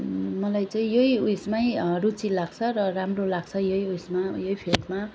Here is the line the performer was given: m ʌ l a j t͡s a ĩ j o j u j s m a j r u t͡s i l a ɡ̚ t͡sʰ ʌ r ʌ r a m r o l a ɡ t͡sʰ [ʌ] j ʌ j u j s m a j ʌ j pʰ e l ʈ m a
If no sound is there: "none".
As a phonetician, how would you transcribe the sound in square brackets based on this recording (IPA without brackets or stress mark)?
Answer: ʌ